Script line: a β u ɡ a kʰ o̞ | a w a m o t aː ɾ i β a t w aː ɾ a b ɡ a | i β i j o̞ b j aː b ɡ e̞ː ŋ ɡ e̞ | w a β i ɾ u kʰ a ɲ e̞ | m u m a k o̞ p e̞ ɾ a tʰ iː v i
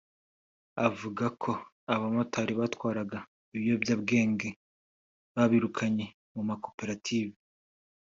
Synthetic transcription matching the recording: a v u ɡ a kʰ o̞ | a β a m o t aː ɾ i β a t w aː ɾ a ɡ a | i β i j o̞ b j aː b ɡ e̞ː ŋ ɡ e̞ | β a β i ɾ u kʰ a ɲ e̞ | m u m a k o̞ p e̞ ɾ a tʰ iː v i